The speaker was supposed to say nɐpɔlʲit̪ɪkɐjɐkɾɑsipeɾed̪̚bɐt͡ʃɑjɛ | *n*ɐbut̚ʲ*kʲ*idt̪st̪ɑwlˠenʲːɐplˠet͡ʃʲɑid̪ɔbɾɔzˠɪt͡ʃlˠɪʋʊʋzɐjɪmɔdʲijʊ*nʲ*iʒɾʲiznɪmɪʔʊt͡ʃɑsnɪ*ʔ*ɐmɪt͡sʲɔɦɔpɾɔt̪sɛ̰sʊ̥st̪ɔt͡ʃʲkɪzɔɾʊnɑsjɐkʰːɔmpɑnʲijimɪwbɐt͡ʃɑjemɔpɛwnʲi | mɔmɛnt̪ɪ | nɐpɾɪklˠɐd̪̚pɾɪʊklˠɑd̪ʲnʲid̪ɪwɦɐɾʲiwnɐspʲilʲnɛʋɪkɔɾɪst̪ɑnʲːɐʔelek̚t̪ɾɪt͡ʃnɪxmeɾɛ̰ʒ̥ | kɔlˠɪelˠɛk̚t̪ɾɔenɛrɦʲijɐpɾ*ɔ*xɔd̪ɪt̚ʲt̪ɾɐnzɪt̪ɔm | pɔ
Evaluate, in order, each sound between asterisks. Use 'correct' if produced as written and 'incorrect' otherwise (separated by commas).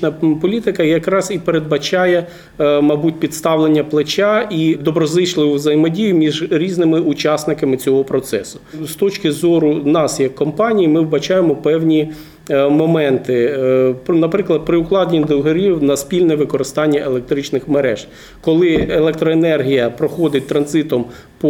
incorrect, incorrect, incorrect, incorrect, correct